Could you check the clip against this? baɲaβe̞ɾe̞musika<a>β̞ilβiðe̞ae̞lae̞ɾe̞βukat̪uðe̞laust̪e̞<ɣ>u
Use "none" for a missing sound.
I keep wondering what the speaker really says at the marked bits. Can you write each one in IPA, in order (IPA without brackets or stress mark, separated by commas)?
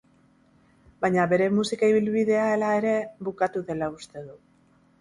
i, ð